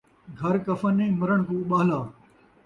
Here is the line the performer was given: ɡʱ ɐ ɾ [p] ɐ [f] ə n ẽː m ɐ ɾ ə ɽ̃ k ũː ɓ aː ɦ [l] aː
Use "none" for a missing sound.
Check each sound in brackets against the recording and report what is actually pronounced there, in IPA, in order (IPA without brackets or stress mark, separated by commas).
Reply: k, f, l